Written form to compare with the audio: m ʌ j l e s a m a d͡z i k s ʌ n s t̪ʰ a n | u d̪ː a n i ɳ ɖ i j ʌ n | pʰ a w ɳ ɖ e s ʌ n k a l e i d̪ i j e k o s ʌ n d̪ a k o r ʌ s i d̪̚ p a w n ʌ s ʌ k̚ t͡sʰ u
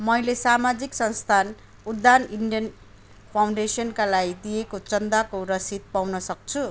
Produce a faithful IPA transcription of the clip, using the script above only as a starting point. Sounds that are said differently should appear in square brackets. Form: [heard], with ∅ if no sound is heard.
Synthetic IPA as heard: m ʌ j l e s a m a d͡z i k s ʌ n s t̪ʰ a n | u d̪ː a n i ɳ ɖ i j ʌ n | pʰ a w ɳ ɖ e s ʌ n k a l [a] i d̪ i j e k o [t͡s] ʌ n d̪ a k o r ʌ s i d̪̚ p a w n ʌ s ʌ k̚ t͡sʰ u